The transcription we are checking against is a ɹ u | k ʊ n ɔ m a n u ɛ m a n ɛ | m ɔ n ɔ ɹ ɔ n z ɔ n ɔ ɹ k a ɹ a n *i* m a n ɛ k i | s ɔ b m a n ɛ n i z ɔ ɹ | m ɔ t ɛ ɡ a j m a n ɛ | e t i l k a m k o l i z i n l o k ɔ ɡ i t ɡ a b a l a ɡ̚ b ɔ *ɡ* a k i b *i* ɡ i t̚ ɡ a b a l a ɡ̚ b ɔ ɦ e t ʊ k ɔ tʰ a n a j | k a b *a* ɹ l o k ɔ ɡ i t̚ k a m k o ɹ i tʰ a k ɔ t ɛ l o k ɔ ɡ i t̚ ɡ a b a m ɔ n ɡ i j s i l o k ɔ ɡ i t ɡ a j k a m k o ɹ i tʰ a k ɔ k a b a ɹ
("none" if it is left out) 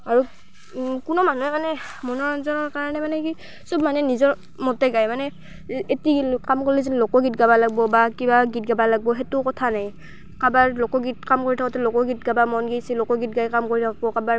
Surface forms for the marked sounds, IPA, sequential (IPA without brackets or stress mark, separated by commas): ɛ, b, a, a